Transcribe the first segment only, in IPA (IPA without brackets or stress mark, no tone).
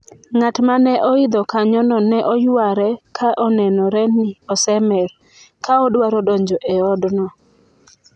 ŋ